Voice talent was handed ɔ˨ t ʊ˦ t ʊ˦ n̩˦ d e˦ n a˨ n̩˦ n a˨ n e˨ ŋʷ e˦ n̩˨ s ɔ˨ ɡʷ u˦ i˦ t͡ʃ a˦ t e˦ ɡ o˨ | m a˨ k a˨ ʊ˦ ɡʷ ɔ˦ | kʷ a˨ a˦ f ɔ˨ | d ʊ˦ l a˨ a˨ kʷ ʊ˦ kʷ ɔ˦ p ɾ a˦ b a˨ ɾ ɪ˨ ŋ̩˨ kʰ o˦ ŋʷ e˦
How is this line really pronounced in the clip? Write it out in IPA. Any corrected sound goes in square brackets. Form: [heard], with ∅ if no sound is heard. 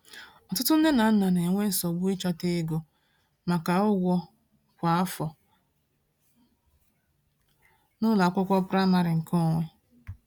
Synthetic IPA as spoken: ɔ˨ t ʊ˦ t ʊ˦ n̩˦ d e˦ n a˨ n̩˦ n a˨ n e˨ ŋʷ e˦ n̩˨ s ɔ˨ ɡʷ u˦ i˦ t͡ʃ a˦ t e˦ ɡ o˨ | m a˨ k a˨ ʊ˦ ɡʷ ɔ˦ | kʷ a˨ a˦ f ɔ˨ | [n] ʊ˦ l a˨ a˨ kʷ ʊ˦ kʷ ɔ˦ p ɾ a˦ [m] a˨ ɾ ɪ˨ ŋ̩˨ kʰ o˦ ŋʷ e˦